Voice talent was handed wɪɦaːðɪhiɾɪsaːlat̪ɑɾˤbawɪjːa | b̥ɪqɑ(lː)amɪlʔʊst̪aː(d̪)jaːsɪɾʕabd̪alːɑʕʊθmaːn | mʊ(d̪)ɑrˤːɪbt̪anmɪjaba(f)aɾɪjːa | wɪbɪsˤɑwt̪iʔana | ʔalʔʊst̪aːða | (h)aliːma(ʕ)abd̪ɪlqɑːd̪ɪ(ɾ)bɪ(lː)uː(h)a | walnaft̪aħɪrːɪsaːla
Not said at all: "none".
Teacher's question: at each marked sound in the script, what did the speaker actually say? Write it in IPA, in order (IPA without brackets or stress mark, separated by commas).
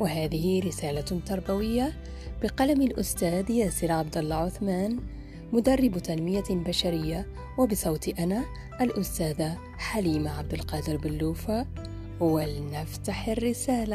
l, d̪, d̪, ʃ, ħ, ʕ, ɾ, lː, f